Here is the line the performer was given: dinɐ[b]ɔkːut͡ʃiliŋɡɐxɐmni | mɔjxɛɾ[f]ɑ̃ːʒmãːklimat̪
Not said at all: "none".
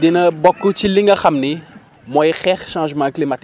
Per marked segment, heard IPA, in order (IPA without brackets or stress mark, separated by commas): b, ʃ